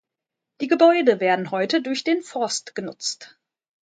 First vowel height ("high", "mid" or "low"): high